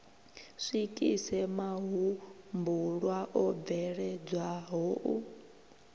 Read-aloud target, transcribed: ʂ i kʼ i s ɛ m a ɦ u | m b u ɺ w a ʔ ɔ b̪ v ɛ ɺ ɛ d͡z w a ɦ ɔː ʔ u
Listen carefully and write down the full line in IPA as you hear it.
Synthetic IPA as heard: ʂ i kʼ i s ɛ m a ɦ u | m b u ɺ w a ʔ ɔ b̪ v ɛ ɺ ɛ d͡z w a ɦ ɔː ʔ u